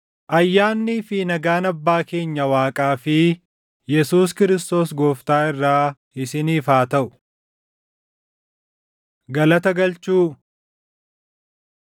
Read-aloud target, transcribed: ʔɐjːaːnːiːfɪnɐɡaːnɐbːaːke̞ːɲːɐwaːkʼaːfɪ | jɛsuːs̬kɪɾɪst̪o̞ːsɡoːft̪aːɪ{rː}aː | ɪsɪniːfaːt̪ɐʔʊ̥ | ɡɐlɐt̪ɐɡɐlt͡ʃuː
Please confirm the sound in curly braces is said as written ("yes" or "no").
yes